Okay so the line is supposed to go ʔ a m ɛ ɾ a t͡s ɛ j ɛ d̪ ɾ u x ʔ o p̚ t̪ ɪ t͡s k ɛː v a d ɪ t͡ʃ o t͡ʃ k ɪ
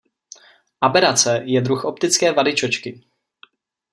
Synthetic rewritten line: ʔ a b ɛ ɾ a t͡s ɛ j ɛ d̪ ɾ u x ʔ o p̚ t̪ ɪ t͡s k ɛː v a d ɪ t͡ʃ o t͡ʃ k ɪ